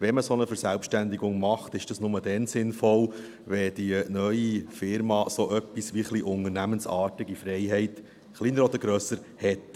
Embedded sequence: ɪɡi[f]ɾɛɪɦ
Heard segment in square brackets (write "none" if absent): f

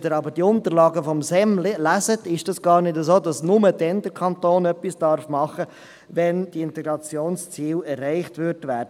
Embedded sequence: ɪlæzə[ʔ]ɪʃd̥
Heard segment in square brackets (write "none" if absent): t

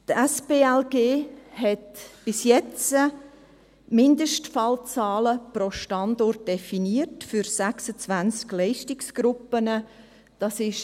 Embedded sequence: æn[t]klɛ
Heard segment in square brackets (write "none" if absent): t͡s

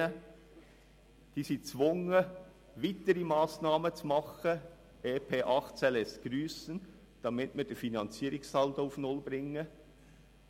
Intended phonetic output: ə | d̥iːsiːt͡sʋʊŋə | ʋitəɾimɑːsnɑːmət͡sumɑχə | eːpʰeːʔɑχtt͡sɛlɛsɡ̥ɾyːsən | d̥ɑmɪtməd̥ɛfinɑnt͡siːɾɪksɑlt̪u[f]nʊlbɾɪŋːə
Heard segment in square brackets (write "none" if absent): f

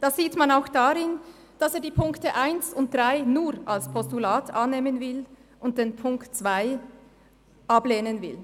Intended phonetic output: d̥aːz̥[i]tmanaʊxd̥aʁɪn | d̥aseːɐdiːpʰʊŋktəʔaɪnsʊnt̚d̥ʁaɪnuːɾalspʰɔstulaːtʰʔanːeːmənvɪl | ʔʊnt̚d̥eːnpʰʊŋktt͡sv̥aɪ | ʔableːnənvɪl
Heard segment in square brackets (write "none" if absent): iː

